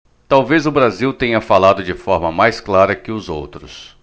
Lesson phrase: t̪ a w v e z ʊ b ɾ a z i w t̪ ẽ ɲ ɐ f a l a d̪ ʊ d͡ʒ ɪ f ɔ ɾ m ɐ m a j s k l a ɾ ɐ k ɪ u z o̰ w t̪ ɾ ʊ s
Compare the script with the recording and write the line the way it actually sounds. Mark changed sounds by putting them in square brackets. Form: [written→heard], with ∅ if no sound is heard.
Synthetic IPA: t̪ a w v e z ʊ b ɾ a z i w t̪ ẽ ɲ ɐ f a l a d̪ ʊ d͡ʒ ɪ f ɔ ɾ m ɐ m a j s k l a ɾ ɐ k ɪ [u→ʊ] z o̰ w t̪ ɾ ʊ s